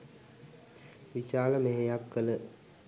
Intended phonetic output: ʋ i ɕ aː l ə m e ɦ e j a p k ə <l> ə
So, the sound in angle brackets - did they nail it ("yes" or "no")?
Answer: yes